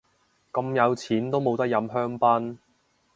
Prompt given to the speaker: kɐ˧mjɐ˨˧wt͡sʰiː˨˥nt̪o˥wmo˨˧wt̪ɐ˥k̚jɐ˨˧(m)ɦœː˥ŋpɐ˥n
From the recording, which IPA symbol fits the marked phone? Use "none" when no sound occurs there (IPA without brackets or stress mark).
m